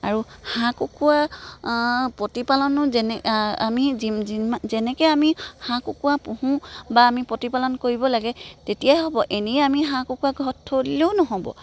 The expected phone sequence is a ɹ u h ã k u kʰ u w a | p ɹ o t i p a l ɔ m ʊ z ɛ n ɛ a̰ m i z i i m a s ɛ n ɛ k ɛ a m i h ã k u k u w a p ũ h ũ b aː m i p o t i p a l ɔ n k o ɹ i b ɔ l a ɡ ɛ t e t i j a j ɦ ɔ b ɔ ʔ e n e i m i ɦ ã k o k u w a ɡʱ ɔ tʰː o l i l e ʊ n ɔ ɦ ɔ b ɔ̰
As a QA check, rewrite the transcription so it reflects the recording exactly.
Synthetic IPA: a ɹ u h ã k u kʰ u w a | p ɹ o t i p a l ɔ n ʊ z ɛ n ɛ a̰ m i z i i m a z ɛ n ɛ k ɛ a m i h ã k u k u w a p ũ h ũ b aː m i p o t i p a l ɔ n k o ɹ i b ɔ l a ɡ ɛ t e t i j a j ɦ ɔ b ɔ ʔ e n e a m i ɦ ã k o k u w a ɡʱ ɔ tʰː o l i l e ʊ n ɔ ɦ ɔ b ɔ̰

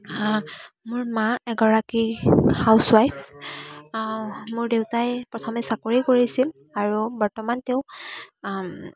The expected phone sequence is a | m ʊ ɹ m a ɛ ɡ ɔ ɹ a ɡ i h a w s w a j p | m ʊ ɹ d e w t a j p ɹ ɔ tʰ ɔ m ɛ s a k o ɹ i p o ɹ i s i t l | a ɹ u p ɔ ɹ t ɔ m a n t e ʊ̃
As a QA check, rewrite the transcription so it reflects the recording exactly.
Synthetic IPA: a | m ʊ ɹ m a ɛ ɡ ɔ ɹ a k i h a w s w a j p | m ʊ ɹ d e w t a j p ɹ ɔ tʰ ɔ m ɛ s a k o ɹ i k o ɹ i s i l | a ɹ u b ɔ ɹ t ɔ m a n t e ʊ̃

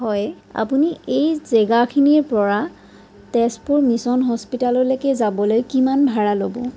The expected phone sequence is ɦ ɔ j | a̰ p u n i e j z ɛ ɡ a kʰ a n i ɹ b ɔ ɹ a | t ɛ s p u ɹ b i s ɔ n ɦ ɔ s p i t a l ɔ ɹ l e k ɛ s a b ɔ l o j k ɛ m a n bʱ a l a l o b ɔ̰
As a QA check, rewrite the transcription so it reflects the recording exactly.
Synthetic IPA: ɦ ɔ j | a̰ p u n i e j z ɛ ɡ a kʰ i n i ɹ p ɔ ɹ a | t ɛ s p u ɹ m i s ɔ n ɦ ɔ s p i t a l ɔ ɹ l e k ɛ z a b ɔ l o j k i m a n bʱ a ɹ a l o b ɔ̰

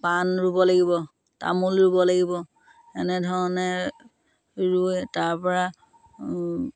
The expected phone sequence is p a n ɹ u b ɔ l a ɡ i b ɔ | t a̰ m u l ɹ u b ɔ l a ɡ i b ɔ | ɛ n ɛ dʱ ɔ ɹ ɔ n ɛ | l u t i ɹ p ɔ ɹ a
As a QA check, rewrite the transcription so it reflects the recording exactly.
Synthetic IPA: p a n ɹ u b ɔ l a ɡ i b ɔ | t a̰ m u l ɹ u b ɔ l a ɡ i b ɔ | ɛ n ɛ dʱ ɔ ɹ ɔ n ɛ | ɹ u t a ɹ p ɔ ɹ a

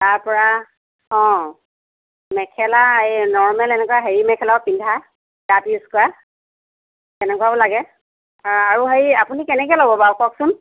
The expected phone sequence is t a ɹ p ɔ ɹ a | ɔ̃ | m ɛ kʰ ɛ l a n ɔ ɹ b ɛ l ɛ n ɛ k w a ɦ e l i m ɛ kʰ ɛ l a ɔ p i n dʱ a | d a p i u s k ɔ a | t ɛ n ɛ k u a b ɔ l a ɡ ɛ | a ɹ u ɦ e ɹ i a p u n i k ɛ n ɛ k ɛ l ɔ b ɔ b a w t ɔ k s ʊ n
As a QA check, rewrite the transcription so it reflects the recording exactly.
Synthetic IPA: t a ɹ p ɔ ɹ a | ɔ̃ | m ɛ kʰ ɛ l a n ɔ ɹ m ɛ l ɛ n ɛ k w a ɦ e ɹ i m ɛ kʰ ɛ l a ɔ p i n dʱ a | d a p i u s k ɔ a | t ɛ n ɛ k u a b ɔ l a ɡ ɛ | a ɹ u ɦ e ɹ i a p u n i k ɛ n ɛ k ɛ l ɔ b ɔ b a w k ɔ k s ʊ n

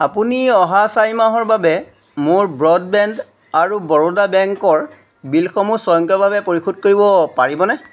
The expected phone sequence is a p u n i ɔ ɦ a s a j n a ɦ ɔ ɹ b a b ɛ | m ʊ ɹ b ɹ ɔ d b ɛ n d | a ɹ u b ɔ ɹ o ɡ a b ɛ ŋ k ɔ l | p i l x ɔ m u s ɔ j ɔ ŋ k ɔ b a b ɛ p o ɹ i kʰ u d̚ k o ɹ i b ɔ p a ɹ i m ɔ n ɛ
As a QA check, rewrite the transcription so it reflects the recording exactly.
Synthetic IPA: a p u n i ɔ ɦ a s a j m a ɦ ɔ ɹ b a b ɛ | m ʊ ɹ b ɹ ɔ d b ɛ n d | a ɹ u b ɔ ɹ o d a b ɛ ŋ k ɔ ɹ | b i l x ɔ m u s ɔ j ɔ ŋ k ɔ b a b ɛ p o ɹ i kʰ u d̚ k o ɹ i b ɔ p a ɹ i b ɔ n ɛ

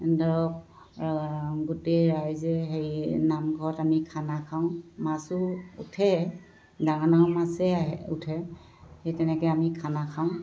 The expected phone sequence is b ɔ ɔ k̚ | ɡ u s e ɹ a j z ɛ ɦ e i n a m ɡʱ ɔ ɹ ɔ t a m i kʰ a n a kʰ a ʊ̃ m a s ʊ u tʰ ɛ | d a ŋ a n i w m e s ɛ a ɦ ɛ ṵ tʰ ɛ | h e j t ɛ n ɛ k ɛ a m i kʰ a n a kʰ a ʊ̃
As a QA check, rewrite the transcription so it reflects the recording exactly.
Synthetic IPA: d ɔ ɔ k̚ | ɡ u t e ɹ a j z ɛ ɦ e j n a m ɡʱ ɔ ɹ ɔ t a m i kʰ a n a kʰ a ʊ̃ m a s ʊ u tʰ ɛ | d a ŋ a n a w m a s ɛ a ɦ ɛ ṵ tʰ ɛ | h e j t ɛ n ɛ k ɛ a m i kʰ a n a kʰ a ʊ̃

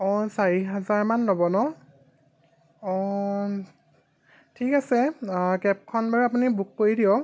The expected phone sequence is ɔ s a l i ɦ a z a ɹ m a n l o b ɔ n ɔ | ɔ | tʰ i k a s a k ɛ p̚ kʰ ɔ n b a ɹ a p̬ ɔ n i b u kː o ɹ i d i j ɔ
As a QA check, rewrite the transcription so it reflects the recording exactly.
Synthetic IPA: ɔ s a ɹ i ɦ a z a ɹ m a n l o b ɔ n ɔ | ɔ | tʰ i k a s ɛ k ɛ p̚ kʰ ɔ n b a ɹ a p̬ u n i b u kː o ɹ i d i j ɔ

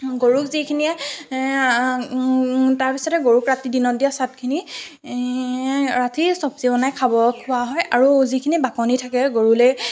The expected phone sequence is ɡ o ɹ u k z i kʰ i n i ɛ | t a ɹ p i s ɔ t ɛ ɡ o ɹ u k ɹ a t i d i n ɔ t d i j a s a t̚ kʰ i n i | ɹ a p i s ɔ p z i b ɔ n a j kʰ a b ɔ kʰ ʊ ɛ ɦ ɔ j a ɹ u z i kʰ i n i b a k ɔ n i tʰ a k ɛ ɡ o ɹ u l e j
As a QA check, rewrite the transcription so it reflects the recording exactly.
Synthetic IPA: ɡ o ɹ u k z i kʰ i n i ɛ | t a ɹ p i s ɔ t ɛ ɡ o ɹ u k ɹ a t i d i n ɔ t d i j a s a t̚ kʰ i n i | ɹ a t i s ɔ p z i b ɔ n a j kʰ a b ɔ kʰ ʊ a ɦ ɔ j a ɹ u z i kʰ i n i b a k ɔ n i tʰ a k ɛ ɡ o ɹ u l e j

